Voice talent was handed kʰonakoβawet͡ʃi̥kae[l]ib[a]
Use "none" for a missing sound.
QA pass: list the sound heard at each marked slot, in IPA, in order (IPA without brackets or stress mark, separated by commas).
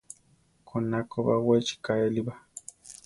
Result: l, a